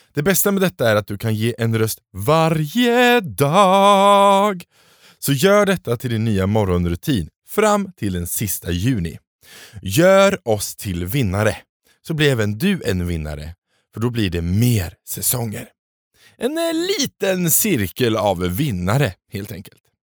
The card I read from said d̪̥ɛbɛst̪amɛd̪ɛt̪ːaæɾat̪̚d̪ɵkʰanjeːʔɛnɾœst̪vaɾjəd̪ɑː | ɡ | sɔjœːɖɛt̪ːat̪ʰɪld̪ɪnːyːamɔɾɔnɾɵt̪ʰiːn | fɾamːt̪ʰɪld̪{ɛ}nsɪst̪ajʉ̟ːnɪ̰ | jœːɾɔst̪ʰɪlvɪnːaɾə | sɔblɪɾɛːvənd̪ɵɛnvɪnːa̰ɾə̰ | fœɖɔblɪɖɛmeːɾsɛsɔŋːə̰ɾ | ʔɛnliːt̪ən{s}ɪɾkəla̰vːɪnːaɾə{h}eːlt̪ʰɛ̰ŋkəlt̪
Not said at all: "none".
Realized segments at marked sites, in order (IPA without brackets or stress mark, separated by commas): ɛ, s, h